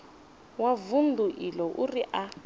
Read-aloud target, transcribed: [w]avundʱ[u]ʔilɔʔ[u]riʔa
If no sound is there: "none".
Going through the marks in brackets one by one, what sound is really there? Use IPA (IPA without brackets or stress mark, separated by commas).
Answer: w, u, u